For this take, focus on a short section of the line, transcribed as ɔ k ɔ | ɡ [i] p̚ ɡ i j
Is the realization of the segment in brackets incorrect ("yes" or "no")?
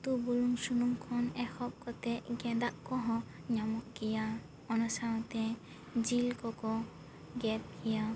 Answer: yes